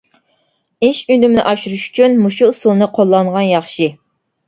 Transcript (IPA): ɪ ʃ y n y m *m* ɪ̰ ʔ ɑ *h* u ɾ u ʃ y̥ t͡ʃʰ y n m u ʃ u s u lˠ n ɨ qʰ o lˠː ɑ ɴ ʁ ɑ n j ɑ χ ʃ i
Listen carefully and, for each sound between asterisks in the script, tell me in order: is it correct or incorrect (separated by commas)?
incorrect, incorrect